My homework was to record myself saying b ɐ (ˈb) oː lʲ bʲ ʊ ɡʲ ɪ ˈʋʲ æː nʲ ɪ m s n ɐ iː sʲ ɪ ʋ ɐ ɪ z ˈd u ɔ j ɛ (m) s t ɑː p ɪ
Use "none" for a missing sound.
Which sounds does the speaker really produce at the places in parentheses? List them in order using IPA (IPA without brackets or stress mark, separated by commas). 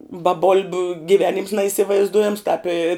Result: b, m